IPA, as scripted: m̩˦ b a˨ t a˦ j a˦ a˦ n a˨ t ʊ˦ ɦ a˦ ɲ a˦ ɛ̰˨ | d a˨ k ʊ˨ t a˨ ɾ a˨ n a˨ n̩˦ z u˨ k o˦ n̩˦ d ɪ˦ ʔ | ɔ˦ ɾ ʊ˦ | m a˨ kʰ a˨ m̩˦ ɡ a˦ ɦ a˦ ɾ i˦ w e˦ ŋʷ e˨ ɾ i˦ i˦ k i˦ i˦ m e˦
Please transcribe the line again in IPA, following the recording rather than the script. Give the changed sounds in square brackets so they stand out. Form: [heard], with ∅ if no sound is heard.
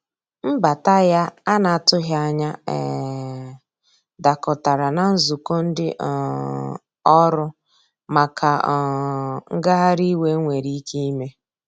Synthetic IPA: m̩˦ b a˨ t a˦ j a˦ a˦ n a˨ t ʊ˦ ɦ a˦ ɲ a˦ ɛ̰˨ | d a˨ k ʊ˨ t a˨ ɾ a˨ n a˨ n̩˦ z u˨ k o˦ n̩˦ d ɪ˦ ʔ | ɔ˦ ɾ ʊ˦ | m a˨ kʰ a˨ [ŋ̩˦] ɡ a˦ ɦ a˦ ɾ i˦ w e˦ ŋʷ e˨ ɾ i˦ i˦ k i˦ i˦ m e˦